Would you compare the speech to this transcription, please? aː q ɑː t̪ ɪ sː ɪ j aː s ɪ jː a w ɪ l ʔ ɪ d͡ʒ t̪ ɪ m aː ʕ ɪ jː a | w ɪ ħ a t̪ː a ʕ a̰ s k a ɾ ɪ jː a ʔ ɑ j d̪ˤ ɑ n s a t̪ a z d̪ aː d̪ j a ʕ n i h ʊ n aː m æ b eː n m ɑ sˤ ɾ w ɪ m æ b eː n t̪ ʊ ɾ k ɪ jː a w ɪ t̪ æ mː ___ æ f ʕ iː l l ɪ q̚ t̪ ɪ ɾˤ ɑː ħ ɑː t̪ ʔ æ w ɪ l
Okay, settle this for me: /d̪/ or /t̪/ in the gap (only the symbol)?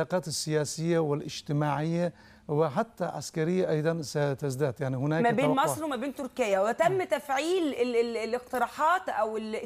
t̪